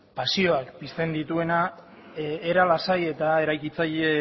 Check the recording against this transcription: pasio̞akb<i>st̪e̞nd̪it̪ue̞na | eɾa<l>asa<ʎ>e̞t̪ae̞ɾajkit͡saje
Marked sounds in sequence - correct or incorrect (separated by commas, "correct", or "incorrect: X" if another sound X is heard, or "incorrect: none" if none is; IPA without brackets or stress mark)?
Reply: correct, correct, incorrect: j